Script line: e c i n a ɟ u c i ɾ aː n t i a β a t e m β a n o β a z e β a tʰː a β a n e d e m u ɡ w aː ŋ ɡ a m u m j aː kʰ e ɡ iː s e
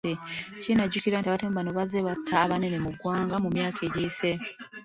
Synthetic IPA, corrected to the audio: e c i n a ɟ u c i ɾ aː n t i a β a t e m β a n o β a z e β a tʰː a β a n e n e m u ɡ w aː ŋ ɡ a m u m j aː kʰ e ɟ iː s e